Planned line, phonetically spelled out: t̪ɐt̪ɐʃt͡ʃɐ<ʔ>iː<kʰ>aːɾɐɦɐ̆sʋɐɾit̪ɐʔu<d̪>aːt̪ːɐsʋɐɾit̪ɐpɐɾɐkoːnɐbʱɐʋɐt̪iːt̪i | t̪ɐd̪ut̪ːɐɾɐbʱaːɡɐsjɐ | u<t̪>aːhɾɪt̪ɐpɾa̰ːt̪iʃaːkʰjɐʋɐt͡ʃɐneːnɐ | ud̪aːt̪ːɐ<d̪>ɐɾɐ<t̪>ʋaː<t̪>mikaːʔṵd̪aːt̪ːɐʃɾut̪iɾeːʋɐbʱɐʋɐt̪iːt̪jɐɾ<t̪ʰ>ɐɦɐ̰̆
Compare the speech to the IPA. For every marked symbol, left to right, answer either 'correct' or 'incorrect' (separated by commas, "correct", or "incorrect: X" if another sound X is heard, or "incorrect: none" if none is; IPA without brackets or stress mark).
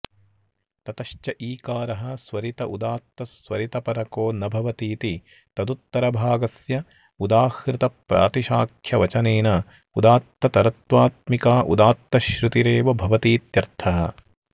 correct, incorrect: k, correct, incorrect: d̪, incorrect: t̪, correct, correct, correct